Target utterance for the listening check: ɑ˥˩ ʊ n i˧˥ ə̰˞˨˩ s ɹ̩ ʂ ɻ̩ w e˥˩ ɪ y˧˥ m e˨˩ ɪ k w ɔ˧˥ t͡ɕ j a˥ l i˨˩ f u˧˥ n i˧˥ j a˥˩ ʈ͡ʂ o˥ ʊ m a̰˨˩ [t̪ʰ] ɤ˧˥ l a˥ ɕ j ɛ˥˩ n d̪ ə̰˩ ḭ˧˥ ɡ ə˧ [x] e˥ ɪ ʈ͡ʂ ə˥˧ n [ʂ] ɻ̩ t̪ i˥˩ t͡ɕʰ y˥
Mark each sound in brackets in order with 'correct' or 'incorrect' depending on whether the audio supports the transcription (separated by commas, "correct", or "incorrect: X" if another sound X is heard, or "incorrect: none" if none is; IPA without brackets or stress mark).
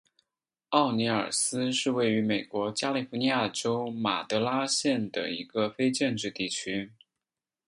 incorrect: t̪, incorrect: f, incorrect: ʈ͡ʂ